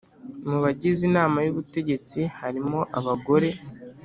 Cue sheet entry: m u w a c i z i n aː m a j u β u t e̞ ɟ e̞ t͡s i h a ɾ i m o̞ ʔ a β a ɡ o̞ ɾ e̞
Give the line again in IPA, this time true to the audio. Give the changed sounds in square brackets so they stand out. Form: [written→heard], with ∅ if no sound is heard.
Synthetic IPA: m u [w→β] a [c→ɟ] i z i n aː m a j u β u t e̞ ɟ e̞ t͡s i h a ɾ i m o̞ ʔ a β a ɡ o̞ ɾ e̞